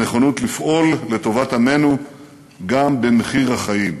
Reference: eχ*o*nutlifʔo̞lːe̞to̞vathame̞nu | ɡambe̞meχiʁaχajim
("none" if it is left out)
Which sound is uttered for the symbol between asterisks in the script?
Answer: o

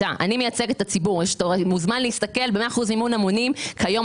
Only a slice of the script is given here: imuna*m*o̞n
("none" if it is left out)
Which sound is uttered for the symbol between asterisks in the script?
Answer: m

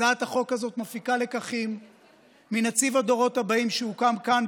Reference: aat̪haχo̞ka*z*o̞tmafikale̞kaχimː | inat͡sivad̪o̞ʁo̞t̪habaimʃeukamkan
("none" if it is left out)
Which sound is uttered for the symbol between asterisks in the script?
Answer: z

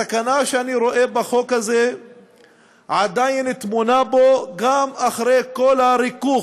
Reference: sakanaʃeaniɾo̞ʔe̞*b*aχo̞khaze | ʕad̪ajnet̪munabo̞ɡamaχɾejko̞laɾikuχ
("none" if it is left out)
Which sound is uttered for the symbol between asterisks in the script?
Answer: b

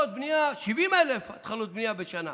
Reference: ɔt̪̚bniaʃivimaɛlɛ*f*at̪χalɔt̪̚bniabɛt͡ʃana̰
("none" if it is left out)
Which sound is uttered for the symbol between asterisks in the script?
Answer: f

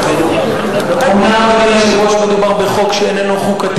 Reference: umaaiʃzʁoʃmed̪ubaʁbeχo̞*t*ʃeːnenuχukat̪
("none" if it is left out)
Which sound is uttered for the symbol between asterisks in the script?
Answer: k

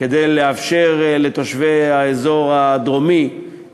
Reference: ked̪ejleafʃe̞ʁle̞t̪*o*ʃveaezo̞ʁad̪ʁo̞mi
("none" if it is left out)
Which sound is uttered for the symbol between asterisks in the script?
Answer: o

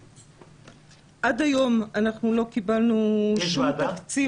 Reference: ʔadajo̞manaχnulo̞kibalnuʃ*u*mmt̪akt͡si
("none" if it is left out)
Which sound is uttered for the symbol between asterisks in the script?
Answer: u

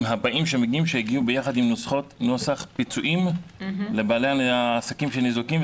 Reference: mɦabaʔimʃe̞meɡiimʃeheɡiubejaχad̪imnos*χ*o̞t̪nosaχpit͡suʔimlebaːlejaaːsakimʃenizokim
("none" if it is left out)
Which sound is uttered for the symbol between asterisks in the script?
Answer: χ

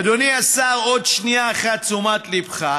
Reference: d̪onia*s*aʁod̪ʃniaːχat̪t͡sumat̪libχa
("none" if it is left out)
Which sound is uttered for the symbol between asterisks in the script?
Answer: s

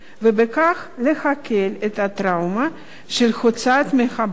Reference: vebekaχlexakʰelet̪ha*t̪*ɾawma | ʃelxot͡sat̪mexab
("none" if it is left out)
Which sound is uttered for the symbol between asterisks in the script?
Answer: t̪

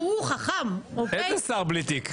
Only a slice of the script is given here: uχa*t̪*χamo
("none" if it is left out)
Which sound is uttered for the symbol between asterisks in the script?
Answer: none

